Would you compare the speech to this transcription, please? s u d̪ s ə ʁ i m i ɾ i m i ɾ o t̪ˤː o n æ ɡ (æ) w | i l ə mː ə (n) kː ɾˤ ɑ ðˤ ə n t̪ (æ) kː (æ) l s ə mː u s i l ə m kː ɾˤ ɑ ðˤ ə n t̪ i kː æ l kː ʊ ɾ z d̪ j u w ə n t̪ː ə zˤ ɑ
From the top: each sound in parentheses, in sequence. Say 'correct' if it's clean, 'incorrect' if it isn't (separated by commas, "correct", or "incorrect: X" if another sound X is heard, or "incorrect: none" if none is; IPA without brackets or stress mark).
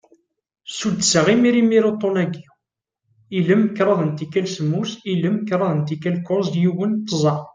incorrect: i, incorrect: none, incorrect: i, correct